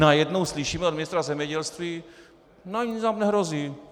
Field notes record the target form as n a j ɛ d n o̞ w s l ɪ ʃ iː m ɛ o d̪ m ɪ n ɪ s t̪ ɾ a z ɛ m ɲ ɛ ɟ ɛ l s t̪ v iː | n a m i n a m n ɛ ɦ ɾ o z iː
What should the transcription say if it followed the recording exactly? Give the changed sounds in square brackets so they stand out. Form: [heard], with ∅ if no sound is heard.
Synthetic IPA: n a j ɛ d n o̞ w s l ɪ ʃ iː m ɛ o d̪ m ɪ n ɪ s t̪ ɾ a z ɛ m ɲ ɛ ɟ ɛ l s t̪ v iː | n a [ɲ] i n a m n ɛ ɦ ɾ o z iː